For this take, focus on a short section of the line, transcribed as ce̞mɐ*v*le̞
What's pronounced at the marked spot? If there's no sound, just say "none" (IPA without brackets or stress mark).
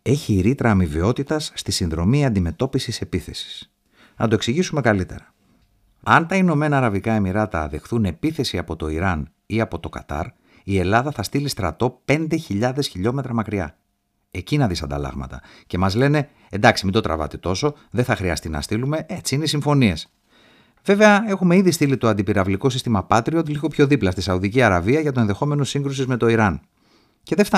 z